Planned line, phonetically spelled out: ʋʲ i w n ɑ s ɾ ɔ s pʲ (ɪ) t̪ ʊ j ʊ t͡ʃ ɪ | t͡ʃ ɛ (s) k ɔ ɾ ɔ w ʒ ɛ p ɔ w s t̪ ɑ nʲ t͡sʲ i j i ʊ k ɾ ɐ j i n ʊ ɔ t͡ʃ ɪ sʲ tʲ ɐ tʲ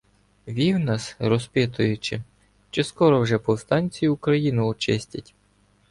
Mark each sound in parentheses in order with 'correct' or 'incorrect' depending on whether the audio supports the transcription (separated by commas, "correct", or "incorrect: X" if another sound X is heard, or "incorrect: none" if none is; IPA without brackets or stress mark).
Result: correct, correct